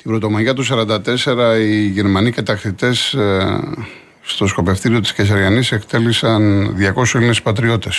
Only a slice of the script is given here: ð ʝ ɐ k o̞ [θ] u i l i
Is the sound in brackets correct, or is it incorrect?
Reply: incorrect